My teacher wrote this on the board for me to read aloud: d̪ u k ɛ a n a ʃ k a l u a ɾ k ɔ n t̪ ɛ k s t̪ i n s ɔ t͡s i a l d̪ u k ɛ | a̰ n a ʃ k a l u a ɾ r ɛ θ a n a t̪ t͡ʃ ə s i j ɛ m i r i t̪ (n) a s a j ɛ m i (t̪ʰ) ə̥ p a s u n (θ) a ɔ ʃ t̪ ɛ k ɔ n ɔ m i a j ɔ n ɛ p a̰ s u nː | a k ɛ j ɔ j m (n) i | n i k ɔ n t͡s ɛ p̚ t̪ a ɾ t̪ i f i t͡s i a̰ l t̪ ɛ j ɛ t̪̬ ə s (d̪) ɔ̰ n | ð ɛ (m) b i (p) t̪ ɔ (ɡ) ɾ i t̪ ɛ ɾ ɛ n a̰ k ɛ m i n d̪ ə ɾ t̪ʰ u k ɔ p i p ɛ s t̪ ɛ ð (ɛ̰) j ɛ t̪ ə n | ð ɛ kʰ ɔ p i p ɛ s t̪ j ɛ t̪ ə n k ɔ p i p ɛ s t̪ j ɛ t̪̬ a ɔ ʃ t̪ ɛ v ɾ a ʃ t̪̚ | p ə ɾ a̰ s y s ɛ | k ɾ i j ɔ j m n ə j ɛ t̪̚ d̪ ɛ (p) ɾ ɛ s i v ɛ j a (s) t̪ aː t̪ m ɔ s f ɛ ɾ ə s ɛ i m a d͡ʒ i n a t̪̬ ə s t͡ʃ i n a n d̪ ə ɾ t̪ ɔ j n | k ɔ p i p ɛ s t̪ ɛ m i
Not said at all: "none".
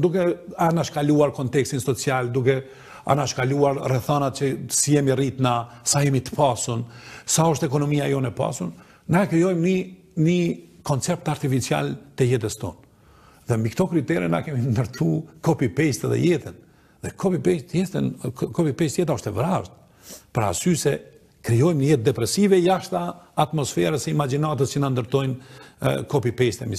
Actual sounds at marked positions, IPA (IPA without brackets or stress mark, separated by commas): n, t̪, s, n, t̪, m, k, k, ɛ̰, p, ʃ